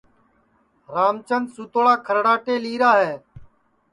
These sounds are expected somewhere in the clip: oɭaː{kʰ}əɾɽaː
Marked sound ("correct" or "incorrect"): correct